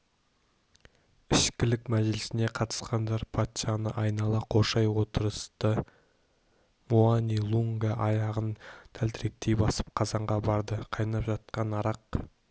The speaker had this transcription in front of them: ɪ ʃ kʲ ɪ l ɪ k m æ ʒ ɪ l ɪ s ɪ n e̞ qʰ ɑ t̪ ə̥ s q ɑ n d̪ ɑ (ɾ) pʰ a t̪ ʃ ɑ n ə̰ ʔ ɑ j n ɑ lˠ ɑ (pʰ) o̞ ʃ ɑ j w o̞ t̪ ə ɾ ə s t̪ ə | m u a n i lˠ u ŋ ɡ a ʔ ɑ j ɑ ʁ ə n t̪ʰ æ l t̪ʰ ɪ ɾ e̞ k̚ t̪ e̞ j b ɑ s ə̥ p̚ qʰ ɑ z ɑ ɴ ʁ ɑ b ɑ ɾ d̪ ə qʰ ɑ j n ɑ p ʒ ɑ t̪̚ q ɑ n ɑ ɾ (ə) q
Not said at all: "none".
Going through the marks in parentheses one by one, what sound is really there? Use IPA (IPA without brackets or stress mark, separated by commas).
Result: ɾ, qʰ, ɑ